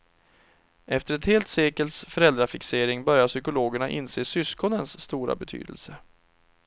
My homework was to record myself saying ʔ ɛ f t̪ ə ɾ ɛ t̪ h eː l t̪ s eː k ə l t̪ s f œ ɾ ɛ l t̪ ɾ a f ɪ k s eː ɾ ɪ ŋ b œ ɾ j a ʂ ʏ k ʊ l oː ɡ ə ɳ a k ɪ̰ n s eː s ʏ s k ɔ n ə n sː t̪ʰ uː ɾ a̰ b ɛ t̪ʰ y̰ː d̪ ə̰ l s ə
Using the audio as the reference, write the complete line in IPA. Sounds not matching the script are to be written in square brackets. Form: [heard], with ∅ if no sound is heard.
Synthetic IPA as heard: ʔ ɛ f t̪ ə ɾ ɛ t̪ h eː l t̪ s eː k ə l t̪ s f œ ɾ ɛ l [d̪] ɾ a f ɪ k s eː ɾ ɪ ŋ b œ ɾ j a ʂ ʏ k ʊ l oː ɡ ə ɳ a [ʔ] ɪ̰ n s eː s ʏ s k ɔ n ə n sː [t̪] uː ɾ a̰ b ɛ t̪ʰ y̰ː d̪ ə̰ l s ə